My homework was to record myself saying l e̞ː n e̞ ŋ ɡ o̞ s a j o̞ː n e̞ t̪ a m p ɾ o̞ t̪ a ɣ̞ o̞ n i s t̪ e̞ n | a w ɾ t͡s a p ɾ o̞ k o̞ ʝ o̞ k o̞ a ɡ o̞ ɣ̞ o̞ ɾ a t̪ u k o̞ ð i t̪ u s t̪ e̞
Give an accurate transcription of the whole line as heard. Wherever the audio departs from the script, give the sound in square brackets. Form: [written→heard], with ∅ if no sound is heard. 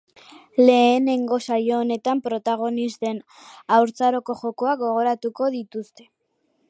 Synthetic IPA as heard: l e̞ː n e̞ ŋ ɡ o̞ s a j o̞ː n e̞ t̪ a m p ɾ o̞ t̪ a ɣ̞ o̞ n i s t̪ e̞ n | a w ɾ t͡s a [p→∅] ɾ o̞ k o̞ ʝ o̞ k o̞ a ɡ o̞ ɣ̞ o̞ ɾ a t̪ u k o̞ ð i t̪ u s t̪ e̞